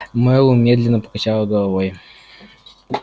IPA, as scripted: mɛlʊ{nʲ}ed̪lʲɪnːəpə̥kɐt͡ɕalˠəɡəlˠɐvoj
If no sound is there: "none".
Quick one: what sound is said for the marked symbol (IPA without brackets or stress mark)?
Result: mʲ